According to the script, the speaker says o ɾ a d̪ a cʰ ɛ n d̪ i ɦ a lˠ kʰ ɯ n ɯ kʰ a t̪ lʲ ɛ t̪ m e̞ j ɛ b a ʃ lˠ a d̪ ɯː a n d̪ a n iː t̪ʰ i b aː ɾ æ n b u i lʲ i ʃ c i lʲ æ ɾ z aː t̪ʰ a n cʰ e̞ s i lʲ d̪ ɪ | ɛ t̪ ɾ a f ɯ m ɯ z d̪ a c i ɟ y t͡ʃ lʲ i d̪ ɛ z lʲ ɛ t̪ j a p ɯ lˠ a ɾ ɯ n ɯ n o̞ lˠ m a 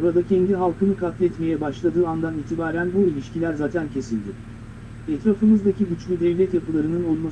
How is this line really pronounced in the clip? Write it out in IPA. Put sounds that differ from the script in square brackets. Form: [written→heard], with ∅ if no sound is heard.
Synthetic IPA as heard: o ɾ a d̪ a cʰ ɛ n d̪ i ɦ a lˠ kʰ ɯ n ɯ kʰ a t̪ lʲ ɛ t̪ m e̞ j ɛ b a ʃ lˠ a d̪ ɯː a n d̪ a n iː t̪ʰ i b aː ɾ æ n b u i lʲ i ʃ c i lʲ æ ɾ z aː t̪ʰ [a→æ] n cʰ e̞ s i lʲ d̪ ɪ | ɛ t̪ ɾ a f ɯ m ɯ z d̪ a c i ɟ y t͡ʃ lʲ [i→y] d̪ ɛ [z→v] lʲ ɛ t̪ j a p ɯ lˠ a ɾ ɯ n ɯ n o̞ lˠ m a